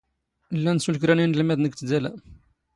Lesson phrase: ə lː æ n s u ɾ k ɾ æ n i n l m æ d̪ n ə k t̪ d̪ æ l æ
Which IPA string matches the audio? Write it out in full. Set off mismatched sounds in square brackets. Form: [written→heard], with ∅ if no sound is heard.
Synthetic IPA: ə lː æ n s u [ɾ→l] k ɾ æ n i n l m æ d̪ n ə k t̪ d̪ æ l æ

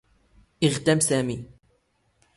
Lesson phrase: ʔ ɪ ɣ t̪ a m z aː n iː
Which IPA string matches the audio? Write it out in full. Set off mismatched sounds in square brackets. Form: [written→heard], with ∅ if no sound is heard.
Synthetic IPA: ʔ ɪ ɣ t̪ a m [z→s] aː [n→m] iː

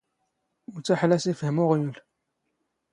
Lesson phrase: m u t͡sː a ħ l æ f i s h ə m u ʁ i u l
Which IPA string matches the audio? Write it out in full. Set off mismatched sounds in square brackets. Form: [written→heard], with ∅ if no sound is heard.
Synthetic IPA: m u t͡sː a ħ l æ [f→s] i [s→f] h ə m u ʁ [i→j] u l

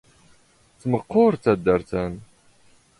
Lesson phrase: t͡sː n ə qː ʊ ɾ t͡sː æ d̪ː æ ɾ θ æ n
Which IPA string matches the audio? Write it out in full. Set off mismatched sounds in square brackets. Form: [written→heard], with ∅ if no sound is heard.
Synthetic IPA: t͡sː [n→m] ə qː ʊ ɾ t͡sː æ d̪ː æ ɾ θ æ n

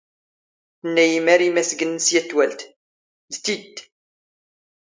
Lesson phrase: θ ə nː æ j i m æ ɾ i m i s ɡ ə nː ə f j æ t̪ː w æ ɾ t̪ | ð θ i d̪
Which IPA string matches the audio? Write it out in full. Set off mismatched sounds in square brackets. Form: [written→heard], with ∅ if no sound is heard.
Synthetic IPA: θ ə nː æ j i m æ ɾ i m [i→æ] s ɡ ə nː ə [f→s] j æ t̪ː w æ [ɾ→l] t̪ | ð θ i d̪

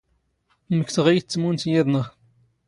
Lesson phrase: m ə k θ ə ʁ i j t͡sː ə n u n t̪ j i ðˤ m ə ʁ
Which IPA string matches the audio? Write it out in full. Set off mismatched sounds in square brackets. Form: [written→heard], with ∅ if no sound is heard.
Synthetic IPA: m ə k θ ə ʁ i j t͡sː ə [n→m] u n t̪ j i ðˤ [m→n] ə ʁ

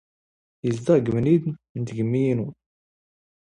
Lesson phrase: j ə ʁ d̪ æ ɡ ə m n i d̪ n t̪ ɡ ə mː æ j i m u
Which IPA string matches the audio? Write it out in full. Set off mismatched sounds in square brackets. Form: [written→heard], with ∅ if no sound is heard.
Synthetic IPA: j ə [ʁ→z] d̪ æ ɡ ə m n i d̪ n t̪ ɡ ə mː [æ→i] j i [m→n] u

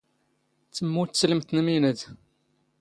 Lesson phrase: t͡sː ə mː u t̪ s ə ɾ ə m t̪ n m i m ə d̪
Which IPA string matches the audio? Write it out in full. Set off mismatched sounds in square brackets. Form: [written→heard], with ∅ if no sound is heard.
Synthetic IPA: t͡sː ə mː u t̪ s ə [ɾ→l] ə m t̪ n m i [m→n] ə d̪

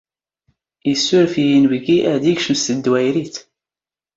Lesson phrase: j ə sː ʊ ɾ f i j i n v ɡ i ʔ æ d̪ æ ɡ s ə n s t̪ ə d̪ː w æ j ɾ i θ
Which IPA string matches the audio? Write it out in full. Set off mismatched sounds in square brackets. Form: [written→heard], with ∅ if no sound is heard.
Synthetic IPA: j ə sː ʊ ɾ f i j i n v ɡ i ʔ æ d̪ [æ→i] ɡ [s→ʃ] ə [n→m] s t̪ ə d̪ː w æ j ɾ i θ

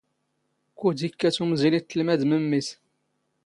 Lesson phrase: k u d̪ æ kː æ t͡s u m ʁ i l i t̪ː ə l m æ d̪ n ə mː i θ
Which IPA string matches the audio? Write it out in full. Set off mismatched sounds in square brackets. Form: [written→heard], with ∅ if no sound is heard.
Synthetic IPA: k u d̪ [æ→i] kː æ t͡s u m [ʁ→z] i l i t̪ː ə l m æ d̪ [n→m] ə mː i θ

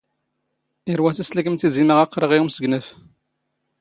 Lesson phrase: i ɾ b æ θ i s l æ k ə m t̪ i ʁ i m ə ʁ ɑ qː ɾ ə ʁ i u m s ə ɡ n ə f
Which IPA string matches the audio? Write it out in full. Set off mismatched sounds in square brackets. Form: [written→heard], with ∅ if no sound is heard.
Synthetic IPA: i ɾ [b→w] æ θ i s l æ k ə m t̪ i [ʁ→z] i m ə ʁ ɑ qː ɾ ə ʁ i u m s ə ɡ n ə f

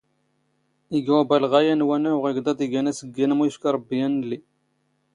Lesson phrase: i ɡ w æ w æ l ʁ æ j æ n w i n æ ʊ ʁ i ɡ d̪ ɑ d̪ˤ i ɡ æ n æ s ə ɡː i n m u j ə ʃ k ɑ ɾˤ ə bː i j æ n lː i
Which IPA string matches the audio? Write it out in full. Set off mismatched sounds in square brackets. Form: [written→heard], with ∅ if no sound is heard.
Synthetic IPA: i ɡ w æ [w→b] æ l ʁ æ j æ n w [i→æ] n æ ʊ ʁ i ɡ d̪ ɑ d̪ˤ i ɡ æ n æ s ə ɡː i n m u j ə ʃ k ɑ ɾˤ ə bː i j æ n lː i

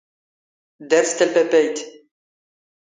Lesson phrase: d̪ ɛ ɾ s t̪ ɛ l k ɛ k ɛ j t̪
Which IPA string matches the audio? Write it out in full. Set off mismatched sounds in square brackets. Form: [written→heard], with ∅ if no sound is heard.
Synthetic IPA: d̪ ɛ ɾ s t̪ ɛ l [k→p] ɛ [k→p] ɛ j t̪

